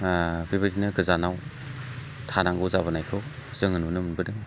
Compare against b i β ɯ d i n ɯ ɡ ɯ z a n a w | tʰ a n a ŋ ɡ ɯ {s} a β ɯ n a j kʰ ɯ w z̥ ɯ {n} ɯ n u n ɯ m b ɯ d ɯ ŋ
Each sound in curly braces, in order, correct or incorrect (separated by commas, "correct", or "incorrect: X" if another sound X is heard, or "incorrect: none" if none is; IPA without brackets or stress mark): incorrect: z, incorrect: ŋ